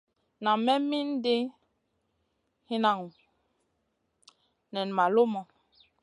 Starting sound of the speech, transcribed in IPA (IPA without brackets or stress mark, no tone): n